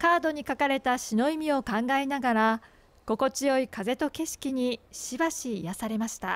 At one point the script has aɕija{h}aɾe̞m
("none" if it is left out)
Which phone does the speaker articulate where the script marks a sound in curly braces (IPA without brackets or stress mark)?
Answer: s